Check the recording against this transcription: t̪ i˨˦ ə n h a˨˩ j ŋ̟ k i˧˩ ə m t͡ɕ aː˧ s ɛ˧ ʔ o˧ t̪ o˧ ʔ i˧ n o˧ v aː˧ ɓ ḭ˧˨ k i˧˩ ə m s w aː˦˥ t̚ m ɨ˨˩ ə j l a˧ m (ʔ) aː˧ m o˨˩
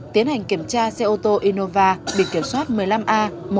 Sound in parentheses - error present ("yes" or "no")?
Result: no